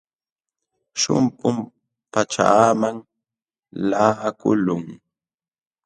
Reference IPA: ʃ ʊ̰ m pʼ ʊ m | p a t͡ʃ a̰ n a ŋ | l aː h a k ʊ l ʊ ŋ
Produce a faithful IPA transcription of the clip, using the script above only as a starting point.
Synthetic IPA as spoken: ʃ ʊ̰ m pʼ ʊ m | p a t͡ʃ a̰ m a ŋ | l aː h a k ʊ l ʊ ŋ